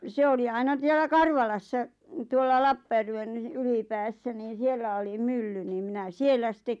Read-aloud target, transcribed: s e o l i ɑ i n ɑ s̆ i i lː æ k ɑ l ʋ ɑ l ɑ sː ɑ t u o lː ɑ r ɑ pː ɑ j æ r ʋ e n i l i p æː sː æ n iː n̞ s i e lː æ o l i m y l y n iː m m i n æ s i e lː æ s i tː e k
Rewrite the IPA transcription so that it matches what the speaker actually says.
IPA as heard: s e o l i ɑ i n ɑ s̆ i e lː æ k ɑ r ʋ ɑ l ɑ sː ɑ t u o lː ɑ l ɑ pː ɑ j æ r ʋ e n y l i p æː sː æ n iː n̞ s i e lː æ o l i m y lː y n iː m m i n æ s i e lː æ s i tː e k